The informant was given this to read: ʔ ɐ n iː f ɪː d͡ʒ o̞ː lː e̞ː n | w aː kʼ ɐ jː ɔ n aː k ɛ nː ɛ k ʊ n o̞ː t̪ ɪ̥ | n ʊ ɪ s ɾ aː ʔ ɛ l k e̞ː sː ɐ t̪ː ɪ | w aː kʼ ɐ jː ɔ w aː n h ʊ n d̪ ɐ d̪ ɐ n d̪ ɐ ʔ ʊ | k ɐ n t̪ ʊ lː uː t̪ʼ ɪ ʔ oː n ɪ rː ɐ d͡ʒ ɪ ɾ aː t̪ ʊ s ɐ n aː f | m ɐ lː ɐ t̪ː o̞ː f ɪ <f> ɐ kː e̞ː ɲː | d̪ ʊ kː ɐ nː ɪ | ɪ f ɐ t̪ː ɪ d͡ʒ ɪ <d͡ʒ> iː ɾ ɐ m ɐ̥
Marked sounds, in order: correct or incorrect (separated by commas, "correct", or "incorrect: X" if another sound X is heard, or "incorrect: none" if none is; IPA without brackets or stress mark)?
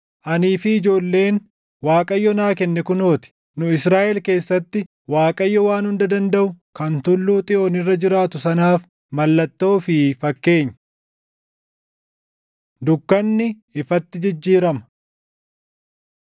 correct, incorrect: d͡ʒː